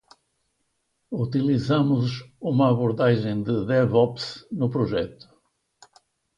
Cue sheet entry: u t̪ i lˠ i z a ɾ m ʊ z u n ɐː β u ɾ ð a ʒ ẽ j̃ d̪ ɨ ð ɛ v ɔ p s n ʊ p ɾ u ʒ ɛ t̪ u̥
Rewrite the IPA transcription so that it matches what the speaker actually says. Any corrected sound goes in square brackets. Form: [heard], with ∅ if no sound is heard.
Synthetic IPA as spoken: u t̪ i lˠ i z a [∅] m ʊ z u [m] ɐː β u ɾ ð a ʒ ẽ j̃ d̪ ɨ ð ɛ v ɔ p s n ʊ p ɾ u ʒ ɛ t̪ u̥